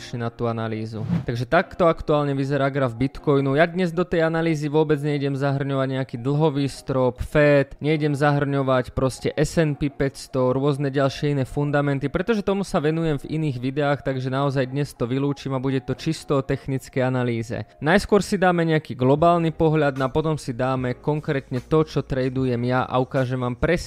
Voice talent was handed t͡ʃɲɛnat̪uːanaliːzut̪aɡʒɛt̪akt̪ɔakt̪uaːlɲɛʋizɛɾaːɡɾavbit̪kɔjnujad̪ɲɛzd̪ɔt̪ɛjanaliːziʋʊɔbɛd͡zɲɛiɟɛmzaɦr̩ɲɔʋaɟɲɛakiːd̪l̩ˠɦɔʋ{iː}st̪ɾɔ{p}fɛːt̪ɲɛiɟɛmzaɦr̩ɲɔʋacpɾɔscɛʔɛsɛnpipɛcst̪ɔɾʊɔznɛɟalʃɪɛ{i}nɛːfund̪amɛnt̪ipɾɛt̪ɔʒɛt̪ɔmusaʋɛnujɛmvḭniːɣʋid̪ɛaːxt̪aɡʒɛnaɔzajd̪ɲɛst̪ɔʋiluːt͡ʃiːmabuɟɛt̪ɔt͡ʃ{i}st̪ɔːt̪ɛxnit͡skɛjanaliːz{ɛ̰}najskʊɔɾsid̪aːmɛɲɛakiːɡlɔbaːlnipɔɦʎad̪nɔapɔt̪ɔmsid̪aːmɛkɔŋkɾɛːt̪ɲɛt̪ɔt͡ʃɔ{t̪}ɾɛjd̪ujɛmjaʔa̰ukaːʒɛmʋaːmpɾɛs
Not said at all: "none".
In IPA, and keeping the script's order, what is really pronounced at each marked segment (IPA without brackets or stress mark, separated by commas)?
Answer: iː, p, i, i, ɛ̰, t̪